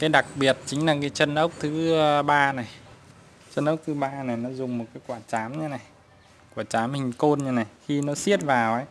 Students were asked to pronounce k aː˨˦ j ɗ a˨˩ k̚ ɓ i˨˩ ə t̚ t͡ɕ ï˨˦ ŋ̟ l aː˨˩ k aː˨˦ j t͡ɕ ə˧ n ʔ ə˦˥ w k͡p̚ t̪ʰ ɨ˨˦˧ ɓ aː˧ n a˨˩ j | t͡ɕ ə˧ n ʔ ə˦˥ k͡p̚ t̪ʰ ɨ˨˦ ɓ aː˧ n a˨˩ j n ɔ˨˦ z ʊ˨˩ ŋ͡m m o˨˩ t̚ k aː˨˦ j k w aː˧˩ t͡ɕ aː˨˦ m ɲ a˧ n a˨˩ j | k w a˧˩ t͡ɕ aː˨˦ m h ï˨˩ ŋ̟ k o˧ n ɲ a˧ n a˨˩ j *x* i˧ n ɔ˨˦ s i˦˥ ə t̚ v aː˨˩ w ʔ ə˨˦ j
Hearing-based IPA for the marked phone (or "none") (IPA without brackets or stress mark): x